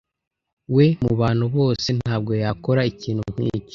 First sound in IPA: w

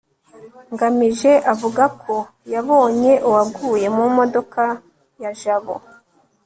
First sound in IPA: ŋ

